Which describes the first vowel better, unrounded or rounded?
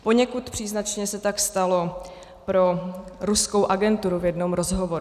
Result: rounded